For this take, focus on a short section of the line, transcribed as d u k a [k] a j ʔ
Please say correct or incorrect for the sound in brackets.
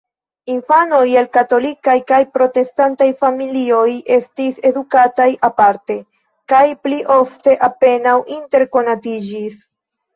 incorrect